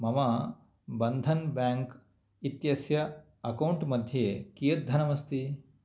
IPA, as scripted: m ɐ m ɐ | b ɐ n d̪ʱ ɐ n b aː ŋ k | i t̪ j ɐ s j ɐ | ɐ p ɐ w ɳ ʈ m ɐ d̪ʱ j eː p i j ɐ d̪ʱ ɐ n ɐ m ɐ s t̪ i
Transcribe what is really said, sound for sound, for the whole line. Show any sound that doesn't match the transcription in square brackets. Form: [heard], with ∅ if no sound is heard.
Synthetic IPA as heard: m ɐ m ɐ | b ɐ n d̪ʱ ɐ n b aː ŋ k | i t̪ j ɐ s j ɐ | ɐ [k] ɐ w ɳ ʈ m ɐ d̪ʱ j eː [k] i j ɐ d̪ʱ ɐ n ɐ m ɐ s t̪ i